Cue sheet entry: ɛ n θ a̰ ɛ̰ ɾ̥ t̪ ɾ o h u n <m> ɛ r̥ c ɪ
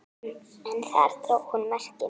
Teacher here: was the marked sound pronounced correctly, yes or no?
yes